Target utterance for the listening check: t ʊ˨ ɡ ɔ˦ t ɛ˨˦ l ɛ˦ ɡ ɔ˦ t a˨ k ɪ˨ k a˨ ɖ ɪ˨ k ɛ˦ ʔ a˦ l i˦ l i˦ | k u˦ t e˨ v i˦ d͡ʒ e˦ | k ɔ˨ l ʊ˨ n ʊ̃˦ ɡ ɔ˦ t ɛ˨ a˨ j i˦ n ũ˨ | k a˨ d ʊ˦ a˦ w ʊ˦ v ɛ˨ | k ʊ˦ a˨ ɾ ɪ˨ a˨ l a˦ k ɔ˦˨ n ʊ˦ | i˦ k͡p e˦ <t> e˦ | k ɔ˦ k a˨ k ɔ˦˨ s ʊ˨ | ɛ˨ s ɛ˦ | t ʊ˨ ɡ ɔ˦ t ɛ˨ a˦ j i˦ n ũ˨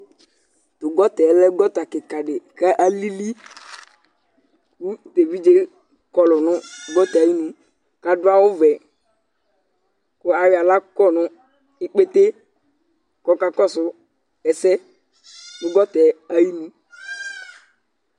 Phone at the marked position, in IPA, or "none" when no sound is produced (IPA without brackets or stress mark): t